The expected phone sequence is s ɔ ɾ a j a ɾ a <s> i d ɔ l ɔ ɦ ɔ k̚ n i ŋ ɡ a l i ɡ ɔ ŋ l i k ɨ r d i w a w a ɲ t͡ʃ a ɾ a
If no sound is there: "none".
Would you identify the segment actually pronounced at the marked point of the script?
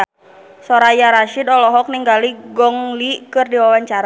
ʃ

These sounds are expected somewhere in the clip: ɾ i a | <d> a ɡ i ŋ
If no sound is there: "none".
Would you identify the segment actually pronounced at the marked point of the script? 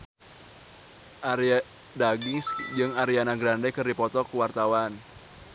d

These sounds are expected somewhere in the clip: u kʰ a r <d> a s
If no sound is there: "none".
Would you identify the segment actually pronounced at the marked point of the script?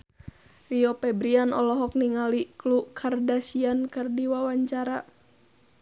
d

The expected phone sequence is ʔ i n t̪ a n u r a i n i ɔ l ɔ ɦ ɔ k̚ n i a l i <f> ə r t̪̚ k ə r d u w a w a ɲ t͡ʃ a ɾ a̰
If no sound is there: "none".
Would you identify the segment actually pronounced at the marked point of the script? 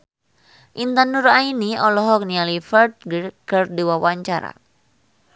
f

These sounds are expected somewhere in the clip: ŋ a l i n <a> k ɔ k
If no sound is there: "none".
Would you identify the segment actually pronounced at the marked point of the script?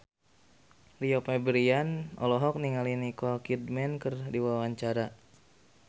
i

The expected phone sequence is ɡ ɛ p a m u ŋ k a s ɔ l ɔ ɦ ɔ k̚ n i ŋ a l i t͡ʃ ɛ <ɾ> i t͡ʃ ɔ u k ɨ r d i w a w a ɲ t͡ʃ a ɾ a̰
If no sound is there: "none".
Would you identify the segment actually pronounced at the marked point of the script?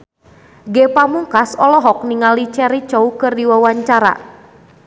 ɾ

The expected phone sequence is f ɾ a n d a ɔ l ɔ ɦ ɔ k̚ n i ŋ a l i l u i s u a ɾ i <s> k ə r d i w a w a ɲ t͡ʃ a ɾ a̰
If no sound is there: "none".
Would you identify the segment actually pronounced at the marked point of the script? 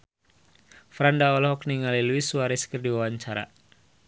s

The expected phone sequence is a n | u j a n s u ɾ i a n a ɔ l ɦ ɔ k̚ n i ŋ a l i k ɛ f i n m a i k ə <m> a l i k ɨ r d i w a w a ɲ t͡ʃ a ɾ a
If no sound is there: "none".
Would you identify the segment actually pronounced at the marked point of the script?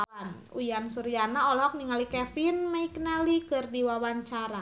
n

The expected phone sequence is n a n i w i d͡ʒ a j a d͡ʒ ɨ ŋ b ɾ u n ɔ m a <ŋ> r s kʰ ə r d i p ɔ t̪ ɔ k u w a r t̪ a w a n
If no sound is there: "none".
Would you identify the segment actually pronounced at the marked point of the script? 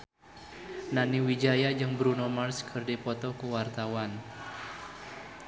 none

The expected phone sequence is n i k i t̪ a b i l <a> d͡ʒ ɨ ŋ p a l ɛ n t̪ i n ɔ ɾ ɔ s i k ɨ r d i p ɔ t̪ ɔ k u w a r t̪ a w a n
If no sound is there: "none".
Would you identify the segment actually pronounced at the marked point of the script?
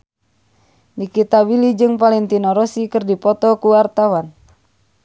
i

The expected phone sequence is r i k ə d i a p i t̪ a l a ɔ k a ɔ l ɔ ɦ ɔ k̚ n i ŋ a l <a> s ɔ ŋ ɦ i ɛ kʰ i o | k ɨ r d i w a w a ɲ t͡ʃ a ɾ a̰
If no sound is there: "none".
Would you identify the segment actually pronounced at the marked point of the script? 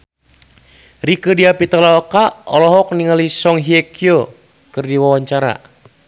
i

